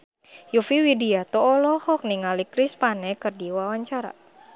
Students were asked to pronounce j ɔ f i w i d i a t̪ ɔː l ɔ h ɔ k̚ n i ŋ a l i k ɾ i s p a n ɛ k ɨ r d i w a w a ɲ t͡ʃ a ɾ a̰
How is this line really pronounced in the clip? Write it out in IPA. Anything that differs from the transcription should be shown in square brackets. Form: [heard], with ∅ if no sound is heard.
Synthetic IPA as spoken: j [u] f i w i d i a t̪ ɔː l ɔ h ɔ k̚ n i ŋ a l i k ɾ i s p a n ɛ k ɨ r d i w a w a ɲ t͡ʃ a ɾ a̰